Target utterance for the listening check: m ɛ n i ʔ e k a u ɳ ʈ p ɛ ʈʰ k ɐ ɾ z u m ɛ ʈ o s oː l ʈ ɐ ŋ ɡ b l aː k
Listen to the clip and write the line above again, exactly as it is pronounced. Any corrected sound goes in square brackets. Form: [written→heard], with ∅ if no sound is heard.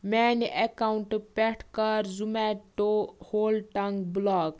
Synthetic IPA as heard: m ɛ n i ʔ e k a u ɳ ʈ p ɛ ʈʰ k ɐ ɾ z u m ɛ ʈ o [s→h] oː l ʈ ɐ ŋ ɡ b l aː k